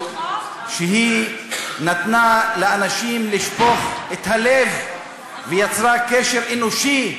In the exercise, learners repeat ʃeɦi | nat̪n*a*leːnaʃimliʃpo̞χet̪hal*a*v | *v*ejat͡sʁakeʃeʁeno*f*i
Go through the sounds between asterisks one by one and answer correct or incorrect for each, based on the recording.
correct, incorrect, correct, incorrect

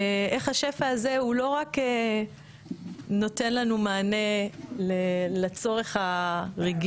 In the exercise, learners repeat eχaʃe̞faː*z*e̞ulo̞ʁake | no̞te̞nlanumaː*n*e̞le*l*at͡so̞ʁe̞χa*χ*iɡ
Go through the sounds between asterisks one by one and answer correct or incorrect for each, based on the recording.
correct, correct, correct, incorrect

